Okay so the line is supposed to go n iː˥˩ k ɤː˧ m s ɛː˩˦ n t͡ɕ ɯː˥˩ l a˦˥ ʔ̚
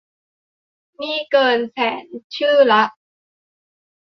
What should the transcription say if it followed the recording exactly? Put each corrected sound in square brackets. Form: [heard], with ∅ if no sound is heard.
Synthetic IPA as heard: n iː˥˩ k ɤː˧ [n] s ɛː˩˦ n [t͡ɕʰ] ɯː˥˩ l a˦˥ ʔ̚